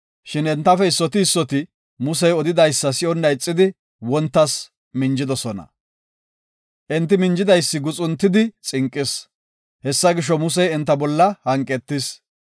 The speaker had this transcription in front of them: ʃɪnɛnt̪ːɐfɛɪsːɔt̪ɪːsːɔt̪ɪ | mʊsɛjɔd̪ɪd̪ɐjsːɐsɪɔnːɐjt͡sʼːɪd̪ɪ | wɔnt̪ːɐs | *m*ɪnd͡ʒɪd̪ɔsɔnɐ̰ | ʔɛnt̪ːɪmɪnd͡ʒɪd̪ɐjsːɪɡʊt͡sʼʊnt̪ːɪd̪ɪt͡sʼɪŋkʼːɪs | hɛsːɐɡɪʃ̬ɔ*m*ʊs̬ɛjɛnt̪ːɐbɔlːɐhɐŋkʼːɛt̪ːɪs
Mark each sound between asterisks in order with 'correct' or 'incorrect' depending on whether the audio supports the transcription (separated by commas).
correct, correct